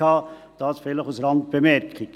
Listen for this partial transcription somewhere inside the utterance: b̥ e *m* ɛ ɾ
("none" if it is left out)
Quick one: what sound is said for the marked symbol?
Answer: m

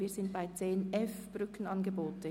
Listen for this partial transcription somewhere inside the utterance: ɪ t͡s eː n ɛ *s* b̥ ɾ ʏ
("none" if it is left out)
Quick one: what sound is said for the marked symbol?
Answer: f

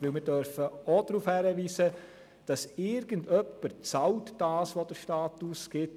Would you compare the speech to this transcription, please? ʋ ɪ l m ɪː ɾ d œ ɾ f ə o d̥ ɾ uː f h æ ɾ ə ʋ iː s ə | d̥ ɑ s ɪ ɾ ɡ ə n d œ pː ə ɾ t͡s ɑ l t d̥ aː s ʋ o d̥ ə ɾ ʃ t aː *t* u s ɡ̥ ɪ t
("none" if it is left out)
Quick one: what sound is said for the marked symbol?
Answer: t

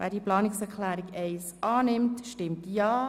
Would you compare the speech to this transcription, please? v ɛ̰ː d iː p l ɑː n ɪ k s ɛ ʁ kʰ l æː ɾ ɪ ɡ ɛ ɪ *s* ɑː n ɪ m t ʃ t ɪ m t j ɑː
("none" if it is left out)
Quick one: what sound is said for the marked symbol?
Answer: s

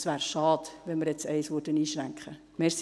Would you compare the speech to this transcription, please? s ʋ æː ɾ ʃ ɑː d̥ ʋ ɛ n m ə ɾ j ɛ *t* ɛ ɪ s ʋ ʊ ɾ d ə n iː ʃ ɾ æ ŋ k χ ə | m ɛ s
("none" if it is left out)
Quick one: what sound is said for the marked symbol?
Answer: t͡s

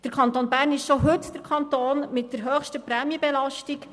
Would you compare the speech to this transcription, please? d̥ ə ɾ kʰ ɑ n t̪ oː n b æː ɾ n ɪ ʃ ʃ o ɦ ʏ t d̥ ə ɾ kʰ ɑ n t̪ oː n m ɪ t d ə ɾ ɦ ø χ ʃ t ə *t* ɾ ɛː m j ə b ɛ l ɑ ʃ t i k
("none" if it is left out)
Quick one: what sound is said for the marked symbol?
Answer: p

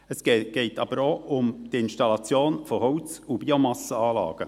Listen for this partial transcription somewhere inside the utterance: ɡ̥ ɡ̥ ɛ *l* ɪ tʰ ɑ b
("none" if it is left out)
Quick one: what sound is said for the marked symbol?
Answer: none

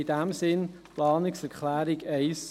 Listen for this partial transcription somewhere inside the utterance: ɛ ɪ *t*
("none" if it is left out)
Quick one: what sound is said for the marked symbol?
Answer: s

